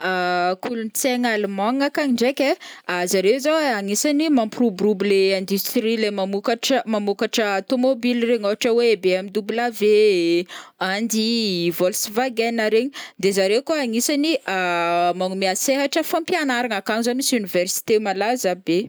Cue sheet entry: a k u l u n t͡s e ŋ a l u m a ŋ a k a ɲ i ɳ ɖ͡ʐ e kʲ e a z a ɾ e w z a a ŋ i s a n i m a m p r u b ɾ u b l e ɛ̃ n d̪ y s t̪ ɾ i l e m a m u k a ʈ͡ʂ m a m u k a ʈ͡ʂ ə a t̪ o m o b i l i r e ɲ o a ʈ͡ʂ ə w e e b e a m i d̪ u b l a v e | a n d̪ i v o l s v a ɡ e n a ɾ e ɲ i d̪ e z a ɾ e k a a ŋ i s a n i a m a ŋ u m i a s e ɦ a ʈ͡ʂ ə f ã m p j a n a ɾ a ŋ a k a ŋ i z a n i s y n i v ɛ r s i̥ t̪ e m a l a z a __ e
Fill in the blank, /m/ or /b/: b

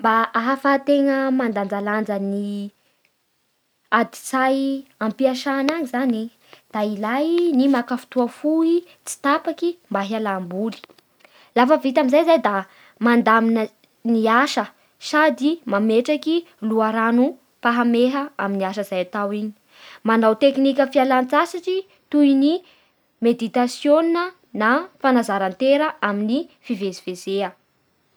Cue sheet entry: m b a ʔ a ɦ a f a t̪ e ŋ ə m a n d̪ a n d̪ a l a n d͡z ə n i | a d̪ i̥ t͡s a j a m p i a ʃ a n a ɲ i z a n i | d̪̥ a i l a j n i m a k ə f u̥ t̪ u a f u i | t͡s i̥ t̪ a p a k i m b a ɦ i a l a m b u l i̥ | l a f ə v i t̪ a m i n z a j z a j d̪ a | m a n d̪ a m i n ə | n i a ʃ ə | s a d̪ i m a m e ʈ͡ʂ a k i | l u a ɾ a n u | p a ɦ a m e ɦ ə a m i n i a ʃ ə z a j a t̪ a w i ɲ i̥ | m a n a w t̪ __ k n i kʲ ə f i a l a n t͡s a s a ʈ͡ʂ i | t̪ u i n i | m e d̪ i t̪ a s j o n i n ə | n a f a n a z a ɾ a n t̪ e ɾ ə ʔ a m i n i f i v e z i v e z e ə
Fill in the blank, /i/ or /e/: e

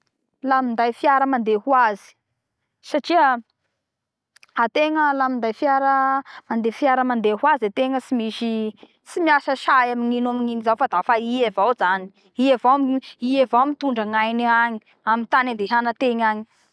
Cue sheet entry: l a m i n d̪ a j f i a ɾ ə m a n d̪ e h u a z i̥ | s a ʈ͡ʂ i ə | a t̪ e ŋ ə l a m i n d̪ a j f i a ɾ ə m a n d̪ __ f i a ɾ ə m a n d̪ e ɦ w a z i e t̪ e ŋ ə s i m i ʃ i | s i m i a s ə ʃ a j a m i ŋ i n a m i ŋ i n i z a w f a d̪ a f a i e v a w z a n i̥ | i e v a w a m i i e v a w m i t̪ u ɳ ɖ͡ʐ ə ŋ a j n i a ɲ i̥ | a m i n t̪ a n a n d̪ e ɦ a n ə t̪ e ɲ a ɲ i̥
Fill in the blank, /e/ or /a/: e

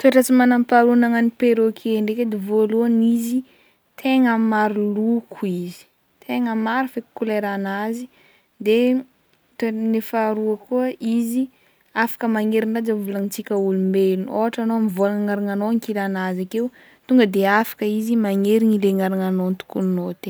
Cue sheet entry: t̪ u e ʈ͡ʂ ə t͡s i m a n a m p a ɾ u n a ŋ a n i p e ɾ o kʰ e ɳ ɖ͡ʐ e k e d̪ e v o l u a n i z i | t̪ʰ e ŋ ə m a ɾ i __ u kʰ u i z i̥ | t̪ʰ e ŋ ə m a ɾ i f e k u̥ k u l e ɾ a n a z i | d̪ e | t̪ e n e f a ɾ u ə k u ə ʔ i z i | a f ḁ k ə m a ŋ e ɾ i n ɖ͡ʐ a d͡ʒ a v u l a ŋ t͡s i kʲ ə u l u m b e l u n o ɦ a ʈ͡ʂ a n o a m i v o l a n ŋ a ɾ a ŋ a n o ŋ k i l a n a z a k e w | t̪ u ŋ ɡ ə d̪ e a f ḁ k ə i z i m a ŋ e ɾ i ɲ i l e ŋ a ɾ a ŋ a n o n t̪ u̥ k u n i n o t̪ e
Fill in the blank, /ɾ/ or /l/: l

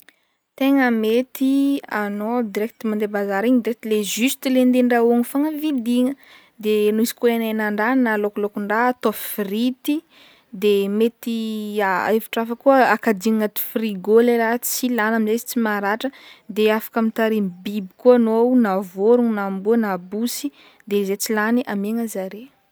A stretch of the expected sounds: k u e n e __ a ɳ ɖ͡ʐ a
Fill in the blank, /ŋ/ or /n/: n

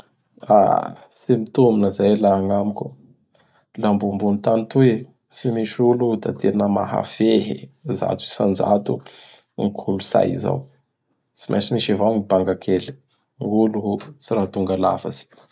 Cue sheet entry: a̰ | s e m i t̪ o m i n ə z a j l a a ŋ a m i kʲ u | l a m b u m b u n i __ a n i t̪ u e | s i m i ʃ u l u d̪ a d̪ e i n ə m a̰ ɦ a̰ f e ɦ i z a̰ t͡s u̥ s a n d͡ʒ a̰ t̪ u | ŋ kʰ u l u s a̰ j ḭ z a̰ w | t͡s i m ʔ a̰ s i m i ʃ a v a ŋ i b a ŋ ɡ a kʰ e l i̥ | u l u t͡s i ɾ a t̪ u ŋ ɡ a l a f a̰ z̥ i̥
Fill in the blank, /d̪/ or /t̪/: t̪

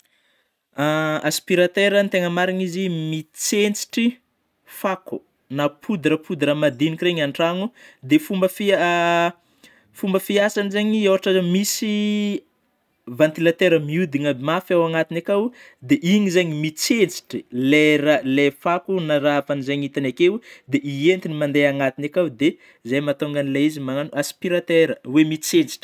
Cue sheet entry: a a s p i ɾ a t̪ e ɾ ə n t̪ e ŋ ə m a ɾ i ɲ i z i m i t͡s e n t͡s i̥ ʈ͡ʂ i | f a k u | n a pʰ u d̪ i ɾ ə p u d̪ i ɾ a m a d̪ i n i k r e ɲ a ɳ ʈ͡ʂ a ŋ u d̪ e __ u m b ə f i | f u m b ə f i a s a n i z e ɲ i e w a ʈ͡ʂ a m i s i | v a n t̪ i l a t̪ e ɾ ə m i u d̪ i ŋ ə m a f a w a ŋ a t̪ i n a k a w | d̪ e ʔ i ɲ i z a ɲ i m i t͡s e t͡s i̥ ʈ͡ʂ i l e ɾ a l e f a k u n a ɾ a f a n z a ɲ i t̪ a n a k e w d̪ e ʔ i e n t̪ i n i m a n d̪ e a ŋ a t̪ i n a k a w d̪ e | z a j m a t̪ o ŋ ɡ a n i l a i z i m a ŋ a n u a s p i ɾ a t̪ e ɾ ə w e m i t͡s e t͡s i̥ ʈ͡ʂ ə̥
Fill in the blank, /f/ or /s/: f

